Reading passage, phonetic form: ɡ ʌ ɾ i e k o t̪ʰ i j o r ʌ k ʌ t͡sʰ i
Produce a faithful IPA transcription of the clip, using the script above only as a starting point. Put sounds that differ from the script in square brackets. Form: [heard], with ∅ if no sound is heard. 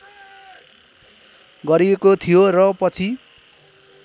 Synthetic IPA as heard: ɡ ʌ ɾ i e k o t̪ʰ i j o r ʌ [p] ʌ t͡sʰ i